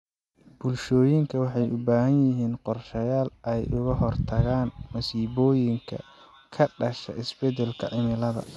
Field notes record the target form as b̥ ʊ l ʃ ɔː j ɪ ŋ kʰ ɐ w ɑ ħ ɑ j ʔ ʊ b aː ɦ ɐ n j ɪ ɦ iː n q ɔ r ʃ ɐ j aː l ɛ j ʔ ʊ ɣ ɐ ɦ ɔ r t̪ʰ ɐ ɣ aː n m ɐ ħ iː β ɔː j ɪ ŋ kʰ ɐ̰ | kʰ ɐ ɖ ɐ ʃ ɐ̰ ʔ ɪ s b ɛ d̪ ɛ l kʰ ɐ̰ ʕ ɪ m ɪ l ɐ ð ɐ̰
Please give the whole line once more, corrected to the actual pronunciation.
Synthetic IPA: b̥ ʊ l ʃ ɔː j ɪ ŋ kʰ ɐ w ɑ ħ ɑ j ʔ ʊ b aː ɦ ɐ n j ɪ ɦ iː n q ɔ r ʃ ɐ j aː l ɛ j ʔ ʊ ɣ ɐ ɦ ɔ r t̪ʰ ɐ ɣ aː n m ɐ s iː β ɔː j ɪ ŋ kʰ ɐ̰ | kʰ ɐ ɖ ɐ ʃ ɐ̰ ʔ ɪ s b ɛ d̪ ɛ l kʰ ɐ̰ ʕ ɪ m ɪ l ɐ ð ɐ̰